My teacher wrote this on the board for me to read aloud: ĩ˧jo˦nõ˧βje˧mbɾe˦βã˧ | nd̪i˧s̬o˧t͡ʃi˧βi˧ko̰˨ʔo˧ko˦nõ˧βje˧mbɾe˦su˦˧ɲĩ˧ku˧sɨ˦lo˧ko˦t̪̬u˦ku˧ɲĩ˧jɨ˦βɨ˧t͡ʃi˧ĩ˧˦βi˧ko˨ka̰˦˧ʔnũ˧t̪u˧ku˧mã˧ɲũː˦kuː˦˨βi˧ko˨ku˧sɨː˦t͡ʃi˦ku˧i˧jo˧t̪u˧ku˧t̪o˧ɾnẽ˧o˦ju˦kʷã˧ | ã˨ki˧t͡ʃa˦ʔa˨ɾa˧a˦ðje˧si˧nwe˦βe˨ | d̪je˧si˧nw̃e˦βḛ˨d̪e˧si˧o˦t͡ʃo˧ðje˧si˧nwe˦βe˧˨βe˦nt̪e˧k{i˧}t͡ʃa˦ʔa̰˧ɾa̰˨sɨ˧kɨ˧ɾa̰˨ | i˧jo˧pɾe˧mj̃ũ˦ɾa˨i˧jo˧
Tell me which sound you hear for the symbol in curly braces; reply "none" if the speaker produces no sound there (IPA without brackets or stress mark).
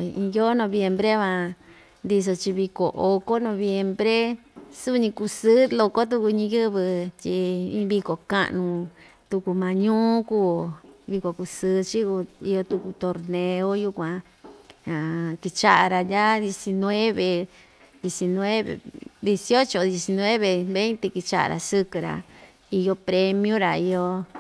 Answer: i˧